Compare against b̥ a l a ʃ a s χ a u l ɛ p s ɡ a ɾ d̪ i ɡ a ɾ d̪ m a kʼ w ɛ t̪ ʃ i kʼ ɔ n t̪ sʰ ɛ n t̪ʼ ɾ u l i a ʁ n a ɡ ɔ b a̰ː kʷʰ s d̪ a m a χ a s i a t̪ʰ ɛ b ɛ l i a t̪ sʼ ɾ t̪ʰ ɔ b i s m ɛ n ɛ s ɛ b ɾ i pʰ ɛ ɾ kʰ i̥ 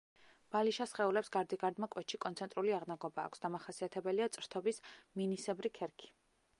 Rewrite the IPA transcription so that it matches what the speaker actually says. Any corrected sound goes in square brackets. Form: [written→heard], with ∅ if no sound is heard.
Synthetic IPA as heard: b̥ a l [a→i] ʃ a s χ [a→ɛ] u l ɛ p s ɡ a ɾ d̪ i ɡ a ɾ d̪ m a kʼ w ɛ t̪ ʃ i kʼ ɔ n t̪ sʰ ɛ n t̪ʼ ɾ u l i a ʁ n a ɡ ɔ b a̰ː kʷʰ s d̪ a m a χ a s i a t̪ʰ ɛ b ɛ l i a t̪ sʼ ɾ t̪ʰ ɔ b i s m [ɛ→i] n [ɛ→i] s ɛ b ɾ i [pʰ→kʰ] ɛ ɾ kʰ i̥